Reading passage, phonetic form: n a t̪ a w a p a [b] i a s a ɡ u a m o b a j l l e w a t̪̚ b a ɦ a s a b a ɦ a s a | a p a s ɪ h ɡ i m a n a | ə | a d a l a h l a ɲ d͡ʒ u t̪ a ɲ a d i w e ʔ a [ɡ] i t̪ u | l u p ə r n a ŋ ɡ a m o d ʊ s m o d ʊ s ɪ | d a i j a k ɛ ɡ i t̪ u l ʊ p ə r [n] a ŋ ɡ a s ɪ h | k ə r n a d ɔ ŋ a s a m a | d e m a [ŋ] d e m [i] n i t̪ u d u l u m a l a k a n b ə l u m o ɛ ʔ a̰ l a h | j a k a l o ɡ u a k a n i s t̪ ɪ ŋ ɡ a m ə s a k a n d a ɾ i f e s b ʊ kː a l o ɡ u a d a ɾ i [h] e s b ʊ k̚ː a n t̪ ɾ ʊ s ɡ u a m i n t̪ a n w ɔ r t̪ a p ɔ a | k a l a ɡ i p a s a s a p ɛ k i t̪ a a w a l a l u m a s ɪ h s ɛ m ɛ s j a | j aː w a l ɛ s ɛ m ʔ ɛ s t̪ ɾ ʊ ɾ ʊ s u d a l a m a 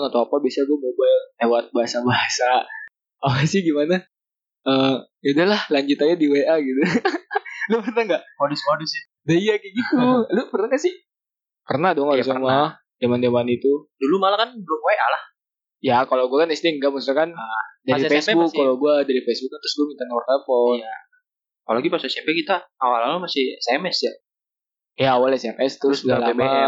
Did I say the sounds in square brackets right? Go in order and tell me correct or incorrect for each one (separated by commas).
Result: correct, correct, correct, incorrect, incorrect, incorrect